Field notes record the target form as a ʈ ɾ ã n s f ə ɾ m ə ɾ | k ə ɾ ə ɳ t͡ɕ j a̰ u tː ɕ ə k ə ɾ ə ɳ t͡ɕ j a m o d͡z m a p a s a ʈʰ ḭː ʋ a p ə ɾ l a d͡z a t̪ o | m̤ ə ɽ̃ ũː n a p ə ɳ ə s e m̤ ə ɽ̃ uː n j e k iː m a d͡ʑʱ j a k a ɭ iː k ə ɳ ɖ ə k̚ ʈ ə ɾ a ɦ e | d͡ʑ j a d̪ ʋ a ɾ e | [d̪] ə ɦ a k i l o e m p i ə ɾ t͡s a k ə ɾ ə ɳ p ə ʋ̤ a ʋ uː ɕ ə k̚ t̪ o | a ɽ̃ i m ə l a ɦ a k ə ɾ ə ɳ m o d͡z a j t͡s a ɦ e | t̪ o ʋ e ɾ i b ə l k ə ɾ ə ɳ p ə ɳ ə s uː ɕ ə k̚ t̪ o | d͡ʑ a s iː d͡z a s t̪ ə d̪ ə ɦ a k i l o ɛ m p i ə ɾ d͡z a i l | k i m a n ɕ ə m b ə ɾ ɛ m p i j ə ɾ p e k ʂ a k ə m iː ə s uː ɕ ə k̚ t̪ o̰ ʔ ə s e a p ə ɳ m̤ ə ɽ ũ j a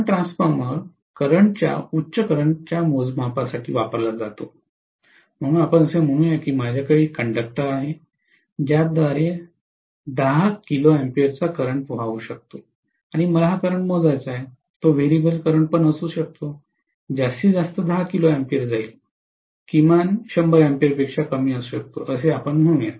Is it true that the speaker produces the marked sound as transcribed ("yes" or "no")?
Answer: yes